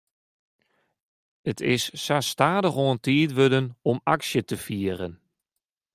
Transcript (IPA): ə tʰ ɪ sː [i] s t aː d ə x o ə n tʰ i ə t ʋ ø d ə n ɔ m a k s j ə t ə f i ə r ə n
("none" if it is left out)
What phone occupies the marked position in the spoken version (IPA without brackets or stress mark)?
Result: a